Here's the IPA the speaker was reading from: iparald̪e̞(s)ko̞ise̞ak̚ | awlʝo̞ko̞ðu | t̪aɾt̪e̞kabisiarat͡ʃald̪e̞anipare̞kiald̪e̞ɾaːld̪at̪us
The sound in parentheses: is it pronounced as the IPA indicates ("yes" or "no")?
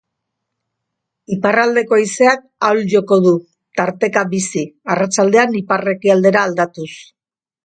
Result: no